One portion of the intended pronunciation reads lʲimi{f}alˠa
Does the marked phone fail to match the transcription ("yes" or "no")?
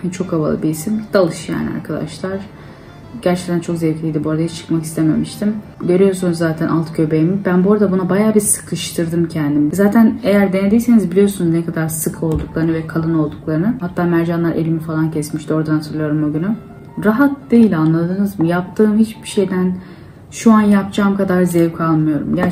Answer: no